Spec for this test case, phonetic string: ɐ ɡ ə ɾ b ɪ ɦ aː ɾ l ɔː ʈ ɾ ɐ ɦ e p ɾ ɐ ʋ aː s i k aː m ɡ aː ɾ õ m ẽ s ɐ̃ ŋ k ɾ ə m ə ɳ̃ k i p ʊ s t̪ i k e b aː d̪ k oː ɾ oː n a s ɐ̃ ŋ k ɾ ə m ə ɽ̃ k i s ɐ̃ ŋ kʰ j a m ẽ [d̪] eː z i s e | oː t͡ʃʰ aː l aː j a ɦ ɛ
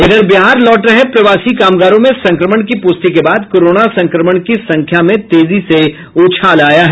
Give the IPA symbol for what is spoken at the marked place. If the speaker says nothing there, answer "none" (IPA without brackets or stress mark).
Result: t̪